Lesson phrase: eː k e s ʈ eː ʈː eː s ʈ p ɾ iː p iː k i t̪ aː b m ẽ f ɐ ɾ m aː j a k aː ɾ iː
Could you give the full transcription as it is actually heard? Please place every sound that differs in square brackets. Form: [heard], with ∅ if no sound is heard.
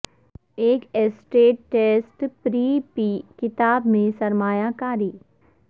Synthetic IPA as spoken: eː k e s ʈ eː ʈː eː s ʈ p ɾ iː p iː k [ɪ] t̪ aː b m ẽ [s] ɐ ɾ m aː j a k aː ɾ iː